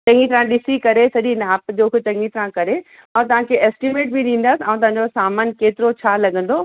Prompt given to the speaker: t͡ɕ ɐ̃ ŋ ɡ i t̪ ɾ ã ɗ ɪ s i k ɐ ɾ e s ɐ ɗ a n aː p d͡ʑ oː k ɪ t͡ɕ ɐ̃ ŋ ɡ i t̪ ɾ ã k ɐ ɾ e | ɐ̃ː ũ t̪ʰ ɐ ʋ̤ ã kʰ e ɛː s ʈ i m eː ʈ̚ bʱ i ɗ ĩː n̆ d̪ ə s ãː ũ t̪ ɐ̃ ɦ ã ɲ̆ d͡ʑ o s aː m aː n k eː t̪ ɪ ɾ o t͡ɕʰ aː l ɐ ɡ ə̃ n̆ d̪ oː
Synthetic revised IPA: t͡ɕ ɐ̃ ŋ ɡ i t̪ ɾ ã ɗ ɪ s i k ɐ ɾ e s ɐ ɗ i n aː p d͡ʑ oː k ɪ t͡ɕ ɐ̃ ŋ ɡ i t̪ ɾ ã k ɐ ɾ e | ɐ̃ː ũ t̪ ɐ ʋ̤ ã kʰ e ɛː s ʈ i m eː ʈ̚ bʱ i ɗ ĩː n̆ d̪ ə s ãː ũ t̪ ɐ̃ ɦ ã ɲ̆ d͡ʑ o s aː m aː n k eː t̪ ɪ ɾ o t͡ɕʰ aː l ɐ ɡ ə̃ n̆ d̪ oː